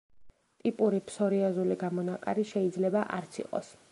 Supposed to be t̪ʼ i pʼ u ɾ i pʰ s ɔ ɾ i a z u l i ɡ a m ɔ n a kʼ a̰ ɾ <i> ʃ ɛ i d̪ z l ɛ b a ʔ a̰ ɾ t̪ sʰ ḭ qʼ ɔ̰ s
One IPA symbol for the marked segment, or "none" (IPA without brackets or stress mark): i